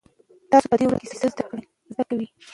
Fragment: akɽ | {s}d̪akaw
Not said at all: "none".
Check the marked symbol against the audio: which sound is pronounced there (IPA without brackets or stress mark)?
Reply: z